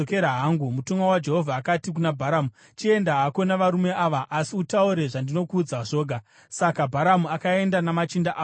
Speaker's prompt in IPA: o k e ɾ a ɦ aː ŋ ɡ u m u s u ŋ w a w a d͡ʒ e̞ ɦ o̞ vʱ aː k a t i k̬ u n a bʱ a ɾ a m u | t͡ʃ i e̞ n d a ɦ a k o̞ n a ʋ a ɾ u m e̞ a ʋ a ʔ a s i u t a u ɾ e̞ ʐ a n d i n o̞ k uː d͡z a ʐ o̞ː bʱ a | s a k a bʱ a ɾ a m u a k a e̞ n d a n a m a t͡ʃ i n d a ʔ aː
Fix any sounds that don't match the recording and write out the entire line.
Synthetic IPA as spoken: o k e ɾ a ɦ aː ŋ ɡ u m u t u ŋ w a w a d͡ʒ e̞ ɦ o̞ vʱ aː k a t i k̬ u n a bʱ a ɾ a m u | t͡ʃ i e̞ n d a ɦ a k o̞ n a ʋ a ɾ u m e̞ a ʋ a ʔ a s i u t a u ɾ e̞ ʐ a n d i n o̞ k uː d͡z a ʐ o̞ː ɡʱ a | s a k a bʱ a ɾ a m u a k a e̞ n d a n a m a t͡ʃ i n d a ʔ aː